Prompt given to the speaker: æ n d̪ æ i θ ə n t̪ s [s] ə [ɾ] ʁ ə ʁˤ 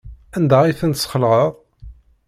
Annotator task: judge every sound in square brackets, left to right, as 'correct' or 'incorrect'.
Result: incorrect: χ, incorrect: l

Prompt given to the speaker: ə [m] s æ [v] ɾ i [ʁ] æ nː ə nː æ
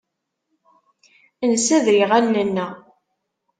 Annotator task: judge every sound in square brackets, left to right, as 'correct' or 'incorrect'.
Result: incorrect: n, incorrect: ð, correct

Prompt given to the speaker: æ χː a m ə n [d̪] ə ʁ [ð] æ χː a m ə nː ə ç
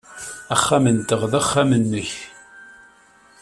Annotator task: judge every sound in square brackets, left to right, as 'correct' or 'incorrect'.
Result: incorrect: t̪, correct

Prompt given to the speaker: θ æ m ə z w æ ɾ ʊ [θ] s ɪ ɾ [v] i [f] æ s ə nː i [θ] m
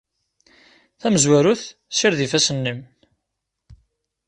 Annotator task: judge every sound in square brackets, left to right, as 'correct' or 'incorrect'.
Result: correct, incorrect: ð, correct, incorrect: none

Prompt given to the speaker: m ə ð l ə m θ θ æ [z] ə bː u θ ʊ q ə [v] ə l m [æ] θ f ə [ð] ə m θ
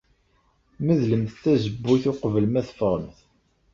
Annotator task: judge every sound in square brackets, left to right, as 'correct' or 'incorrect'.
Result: correct, correct, correct, incorrect: ʁ

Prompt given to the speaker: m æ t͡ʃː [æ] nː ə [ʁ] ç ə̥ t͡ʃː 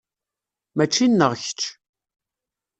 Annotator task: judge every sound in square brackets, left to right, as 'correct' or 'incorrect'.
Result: incorrect: i, correct

